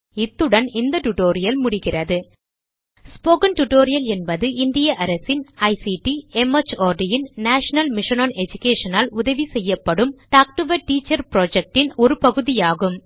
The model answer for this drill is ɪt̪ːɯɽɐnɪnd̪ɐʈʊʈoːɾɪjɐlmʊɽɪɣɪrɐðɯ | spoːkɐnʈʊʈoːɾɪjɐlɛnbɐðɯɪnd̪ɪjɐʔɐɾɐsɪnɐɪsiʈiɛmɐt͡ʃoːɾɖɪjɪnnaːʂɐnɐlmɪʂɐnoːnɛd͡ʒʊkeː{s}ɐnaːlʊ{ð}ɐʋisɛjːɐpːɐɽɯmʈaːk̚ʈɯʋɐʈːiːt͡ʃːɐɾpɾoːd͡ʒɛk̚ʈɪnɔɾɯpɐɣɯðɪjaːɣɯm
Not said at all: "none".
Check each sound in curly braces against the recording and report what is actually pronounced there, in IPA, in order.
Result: ʂ, ð

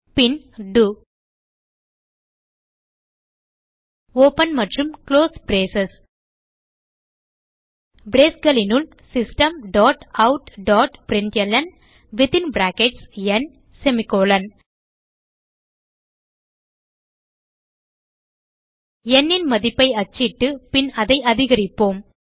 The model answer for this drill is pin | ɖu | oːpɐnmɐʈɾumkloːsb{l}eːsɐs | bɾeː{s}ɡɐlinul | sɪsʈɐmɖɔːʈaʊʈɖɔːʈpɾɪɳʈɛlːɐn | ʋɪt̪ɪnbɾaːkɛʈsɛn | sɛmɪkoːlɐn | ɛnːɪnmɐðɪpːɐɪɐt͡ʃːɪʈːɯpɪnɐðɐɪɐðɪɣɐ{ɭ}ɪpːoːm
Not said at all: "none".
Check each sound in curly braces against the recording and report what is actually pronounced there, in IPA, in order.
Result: ɾ, s, ɾ

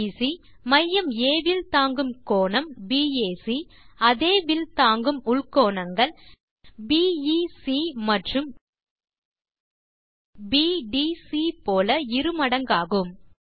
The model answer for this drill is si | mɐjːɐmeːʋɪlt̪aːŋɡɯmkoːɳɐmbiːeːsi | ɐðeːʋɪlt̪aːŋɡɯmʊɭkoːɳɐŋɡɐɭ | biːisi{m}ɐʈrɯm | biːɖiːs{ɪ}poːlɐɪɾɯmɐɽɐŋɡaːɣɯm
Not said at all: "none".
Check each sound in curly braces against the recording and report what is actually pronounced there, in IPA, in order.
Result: m, i

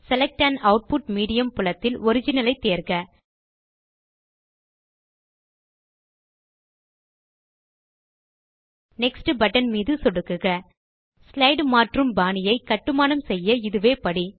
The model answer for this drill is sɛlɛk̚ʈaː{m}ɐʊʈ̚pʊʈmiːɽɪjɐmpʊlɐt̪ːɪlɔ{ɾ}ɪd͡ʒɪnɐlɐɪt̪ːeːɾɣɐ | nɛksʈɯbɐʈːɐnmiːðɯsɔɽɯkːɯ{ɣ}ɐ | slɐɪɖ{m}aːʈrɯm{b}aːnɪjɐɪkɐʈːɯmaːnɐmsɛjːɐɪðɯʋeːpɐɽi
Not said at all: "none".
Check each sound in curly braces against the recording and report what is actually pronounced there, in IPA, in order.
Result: n, ɾ, ɣ, m, b

